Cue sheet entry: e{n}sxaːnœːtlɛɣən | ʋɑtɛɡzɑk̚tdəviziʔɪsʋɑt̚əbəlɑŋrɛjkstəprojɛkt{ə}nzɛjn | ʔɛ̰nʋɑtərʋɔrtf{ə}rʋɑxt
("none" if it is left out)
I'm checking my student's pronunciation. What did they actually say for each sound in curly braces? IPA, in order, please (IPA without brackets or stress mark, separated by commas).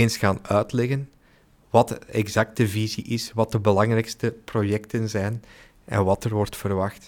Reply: n, ə, ə